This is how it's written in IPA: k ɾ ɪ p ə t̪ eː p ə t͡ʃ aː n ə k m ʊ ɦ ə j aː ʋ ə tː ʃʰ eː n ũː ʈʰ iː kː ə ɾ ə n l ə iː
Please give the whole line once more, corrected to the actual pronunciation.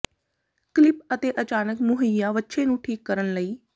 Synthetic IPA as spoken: k l ɪ p ə t̪ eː ʔ ə t͡ʃ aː n ə k m ʊ ɦ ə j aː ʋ ə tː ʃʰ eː n ũː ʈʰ iː kː ə ɾ ə n l ə iː